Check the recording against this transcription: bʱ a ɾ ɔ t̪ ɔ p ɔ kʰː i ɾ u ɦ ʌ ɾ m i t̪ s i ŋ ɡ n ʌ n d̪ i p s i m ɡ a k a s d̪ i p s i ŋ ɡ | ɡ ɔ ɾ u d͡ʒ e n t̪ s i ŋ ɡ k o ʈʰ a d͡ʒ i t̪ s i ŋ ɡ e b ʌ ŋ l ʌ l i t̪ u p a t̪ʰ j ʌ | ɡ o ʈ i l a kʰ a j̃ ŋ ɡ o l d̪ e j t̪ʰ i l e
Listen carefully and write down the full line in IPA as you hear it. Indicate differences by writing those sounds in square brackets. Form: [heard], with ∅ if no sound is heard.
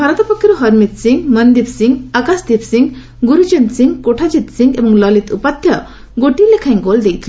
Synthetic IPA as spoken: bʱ a ɾ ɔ t̪ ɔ p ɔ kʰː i ɾ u ɦ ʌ ɾ m i t̪ s i ŋ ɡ [m] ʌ n d̪ i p s i [ŋ] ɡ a k a s d̪ i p s i ŋ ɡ | ɡ [u] ɾ u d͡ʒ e n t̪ s i ŋ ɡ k o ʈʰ a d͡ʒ i t̪ s i ŋ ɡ e b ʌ ŋ l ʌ l i t̪ u p a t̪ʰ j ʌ | ɡ o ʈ i l [e] kʰ a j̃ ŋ ɡ o l d̪ e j t̪ʰ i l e